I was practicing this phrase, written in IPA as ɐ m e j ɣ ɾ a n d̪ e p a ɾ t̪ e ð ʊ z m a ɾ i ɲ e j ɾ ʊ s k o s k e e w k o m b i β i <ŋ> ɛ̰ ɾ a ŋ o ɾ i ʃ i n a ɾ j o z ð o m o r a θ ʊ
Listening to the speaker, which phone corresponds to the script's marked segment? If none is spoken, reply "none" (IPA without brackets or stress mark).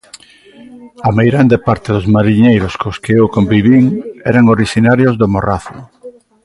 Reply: ŋ